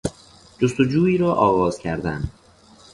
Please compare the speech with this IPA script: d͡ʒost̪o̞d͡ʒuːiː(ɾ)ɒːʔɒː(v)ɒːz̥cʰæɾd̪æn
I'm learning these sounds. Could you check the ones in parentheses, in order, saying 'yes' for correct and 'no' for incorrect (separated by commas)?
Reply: yes, no